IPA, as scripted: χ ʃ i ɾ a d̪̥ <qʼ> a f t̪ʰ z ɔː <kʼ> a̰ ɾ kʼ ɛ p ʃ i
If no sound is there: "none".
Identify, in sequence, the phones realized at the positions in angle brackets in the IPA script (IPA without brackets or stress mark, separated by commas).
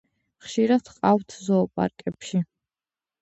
qʼ, pʼ